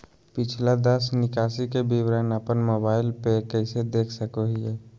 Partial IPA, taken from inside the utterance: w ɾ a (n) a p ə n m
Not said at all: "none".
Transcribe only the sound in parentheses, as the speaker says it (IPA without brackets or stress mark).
n